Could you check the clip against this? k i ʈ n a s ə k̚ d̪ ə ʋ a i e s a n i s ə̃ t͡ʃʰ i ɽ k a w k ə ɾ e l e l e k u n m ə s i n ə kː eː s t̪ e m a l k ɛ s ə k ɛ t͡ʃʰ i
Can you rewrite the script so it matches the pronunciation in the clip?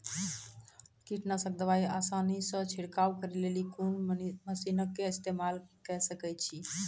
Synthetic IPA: k i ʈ n a s ə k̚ d̪ ə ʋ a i a s a n i s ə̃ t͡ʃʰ i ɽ k a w k ə ɾ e l e l i k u n m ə s i n ə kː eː s t̪ e m a l k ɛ s ə k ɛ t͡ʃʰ i